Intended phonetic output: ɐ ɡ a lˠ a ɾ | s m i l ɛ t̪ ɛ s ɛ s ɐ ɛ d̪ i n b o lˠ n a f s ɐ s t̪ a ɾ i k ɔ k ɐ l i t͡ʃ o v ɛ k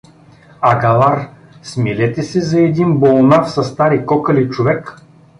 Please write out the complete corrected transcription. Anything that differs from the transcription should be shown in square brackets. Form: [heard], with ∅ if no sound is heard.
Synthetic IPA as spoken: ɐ ɡ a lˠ a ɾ | s m i l ɛ t̪ ɛ s ɛ [z] ɐ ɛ d̪ i n b o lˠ n a f s ɐ s t̪ a ɾ i k ɔ k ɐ l i t͡ʃ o v ɛ k

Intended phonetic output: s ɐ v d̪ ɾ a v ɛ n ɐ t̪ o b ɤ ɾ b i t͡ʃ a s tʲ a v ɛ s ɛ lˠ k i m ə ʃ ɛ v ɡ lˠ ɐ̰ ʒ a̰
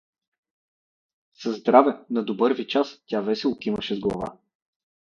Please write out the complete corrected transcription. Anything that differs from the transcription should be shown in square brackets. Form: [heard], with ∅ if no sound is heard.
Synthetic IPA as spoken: s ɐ [z] d̪ ɾ a v ɛ n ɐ [d̪] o b ɤ ɾ [v] i t͡ʃ a s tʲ a v ɛ s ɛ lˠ k i m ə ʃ ɛ [z] ɡ lˠ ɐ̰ [v] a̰

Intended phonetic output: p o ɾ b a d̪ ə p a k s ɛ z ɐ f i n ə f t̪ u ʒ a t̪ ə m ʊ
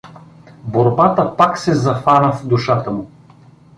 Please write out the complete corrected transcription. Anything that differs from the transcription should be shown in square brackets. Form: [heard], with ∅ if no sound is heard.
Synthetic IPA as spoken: [b] o ɾ b a [t̪] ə p a k s ɛ z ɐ f [a] n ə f [d̪] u [ʃ] a t̪ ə m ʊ

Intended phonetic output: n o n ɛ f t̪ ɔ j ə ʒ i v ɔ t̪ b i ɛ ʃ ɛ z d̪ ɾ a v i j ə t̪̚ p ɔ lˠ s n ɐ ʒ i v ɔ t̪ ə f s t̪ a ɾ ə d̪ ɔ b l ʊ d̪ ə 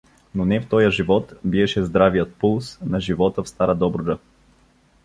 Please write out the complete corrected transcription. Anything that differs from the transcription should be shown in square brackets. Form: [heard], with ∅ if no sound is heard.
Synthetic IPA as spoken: n o n ɛ f t̪ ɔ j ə ʒ i v ɔ t̪ b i ɛ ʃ ɛ z d̪ ɾ a v i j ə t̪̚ p [u] lˠ s n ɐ ʒ i v ɔ t̪ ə f s t̪ a ɾ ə d̪ ɔ b [ɾ] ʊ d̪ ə

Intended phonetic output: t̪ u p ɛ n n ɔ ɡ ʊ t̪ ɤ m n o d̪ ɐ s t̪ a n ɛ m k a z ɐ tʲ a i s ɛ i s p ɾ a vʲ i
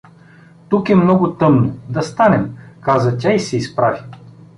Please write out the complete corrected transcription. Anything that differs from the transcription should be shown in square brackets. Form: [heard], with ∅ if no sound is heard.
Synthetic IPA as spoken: t̪ u [k] ɛ [m] n ɔ ɡ ʊ t̪ ɤ m n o d̪ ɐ s t̪ a n ɛ m k a z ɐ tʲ a i s ɛ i s p ɾ a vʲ i

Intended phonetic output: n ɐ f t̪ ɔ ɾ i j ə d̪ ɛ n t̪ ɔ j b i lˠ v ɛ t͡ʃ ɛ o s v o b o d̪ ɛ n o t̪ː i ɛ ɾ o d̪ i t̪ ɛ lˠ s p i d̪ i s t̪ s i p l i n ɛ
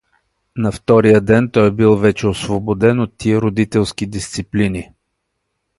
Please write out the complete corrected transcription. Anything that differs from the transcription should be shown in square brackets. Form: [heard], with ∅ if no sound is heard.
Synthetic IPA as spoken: n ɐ f t̪ ɔ ɾ i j ə d̪ ɛ n t̪ ɔ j b i lˠ v ɛ t͡ʃ ɛ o s v o b o d̪ ɛ n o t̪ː i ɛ ɾ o d̪ i t̪ ɛ lˠ s [k] i d̪ i s t̪ s i p l i n [i]

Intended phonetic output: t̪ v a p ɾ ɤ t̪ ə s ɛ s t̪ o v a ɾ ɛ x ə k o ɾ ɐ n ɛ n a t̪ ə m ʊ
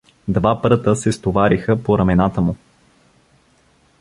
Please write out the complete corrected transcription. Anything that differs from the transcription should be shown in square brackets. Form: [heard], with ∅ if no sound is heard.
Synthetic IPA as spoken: [d̪] v a p ɾ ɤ t̪ ə s ɛ s t̪ o v a ɾ [i] x ə [p] o ɾ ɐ [m] ɛ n a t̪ ə m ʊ

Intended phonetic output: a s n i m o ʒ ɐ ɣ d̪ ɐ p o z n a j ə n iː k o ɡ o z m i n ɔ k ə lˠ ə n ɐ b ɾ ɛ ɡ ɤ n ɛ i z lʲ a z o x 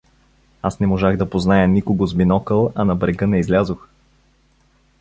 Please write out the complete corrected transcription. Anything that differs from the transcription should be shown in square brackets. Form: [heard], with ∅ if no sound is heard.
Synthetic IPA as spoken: a s n [ɛ] m o ʒ [a] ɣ d̪ ɐ p o z n a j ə n [i] k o ɡ o z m i n ɔ k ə lˠ [ɐ] n ɐ b ɾ ɛ ɡ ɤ n ɛ i z lʲ a z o x

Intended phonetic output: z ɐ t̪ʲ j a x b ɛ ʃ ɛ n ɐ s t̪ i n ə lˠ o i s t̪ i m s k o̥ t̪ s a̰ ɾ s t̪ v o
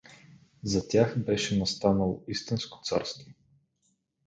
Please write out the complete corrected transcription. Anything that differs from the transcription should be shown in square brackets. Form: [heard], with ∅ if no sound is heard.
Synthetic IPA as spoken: z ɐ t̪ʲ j a x b ɛ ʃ ɛ n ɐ s t̪ [a] n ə lˠ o i s t̪ i [n] s k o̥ t̪ s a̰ ɾ s t̪ v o

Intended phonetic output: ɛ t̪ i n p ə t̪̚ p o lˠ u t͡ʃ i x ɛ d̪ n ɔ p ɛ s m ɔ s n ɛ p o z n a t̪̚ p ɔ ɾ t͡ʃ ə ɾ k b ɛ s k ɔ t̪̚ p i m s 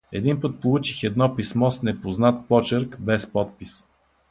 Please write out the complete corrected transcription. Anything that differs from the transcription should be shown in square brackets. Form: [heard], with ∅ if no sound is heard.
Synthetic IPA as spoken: ɛ [d̪] i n p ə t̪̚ p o lˠ u t͡ʃ i x ɛ d̪ n ɔ p [i] s m ɔ s n ɛ p o z n a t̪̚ p ɔ [∅] t͡ʃ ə ɾ k b ɛ s [p] ɔ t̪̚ p i [∅] s

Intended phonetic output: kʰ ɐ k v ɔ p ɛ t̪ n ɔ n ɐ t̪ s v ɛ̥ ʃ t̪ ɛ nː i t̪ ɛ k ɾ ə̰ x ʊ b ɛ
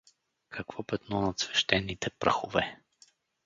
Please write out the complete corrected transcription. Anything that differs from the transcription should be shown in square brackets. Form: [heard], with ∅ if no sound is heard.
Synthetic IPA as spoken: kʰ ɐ k v ɔ p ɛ t̪ n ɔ n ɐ t̪ s v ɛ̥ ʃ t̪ ɛ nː i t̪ ɛ [p] ɾ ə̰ x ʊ [v] ɛ

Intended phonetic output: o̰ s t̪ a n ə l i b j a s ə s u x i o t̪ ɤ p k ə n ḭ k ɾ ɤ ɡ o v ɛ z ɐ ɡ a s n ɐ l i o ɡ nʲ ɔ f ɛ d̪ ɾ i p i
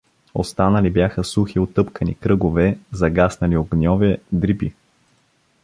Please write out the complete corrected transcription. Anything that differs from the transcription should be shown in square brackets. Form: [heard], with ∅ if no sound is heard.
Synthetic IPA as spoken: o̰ s t̪ a n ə l i b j a [x] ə s u x i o t̪ ɤ p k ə n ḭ k ɾ ɤ ɡ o v ɛ z ɐ ɡ a s n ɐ l i o ɡ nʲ ɔ [v] ɛ d̪ ɾ i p i

